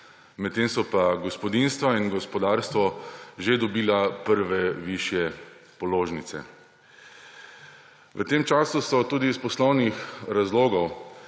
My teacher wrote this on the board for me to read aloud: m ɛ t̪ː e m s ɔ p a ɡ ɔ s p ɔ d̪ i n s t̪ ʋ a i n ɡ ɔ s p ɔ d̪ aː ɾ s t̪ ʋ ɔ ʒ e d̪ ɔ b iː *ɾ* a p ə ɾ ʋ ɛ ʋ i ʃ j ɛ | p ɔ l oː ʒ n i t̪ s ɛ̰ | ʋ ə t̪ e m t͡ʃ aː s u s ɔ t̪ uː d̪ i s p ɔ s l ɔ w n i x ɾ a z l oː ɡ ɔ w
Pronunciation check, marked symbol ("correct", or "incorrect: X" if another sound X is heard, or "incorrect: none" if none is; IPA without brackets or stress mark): incorrect: l